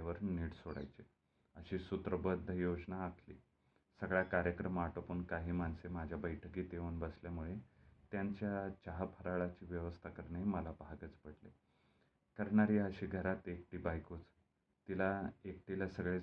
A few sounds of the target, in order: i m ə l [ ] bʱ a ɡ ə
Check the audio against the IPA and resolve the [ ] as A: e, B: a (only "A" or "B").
B